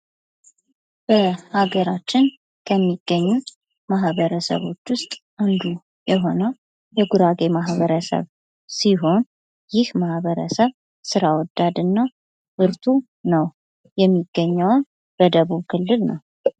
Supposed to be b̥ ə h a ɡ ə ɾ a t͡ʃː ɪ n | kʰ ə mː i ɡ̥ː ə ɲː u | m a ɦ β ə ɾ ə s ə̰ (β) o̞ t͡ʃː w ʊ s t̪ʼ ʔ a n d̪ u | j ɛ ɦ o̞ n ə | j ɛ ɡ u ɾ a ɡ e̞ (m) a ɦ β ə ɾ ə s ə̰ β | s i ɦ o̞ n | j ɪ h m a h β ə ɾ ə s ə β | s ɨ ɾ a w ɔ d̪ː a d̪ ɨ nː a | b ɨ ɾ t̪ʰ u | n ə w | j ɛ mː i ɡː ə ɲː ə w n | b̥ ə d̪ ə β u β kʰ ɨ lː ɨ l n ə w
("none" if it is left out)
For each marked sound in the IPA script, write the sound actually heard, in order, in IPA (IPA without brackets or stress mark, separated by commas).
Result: β, m